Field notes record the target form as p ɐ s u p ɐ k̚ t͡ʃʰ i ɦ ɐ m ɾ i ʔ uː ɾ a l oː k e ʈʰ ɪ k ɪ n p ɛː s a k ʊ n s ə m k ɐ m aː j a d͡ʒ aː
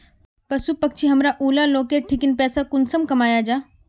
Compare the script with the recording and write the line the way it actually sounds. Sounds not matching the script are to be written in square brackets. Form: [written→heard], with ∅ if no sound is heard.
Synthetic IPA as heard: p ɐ s u p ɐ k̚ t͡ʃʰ i ɦ ɐ m ɾ [i→a] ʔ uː [ɾ→l] a l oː k e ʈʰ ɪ k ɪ n p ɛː s a k ʊ n s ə m k ɐ m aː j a d͡ʒ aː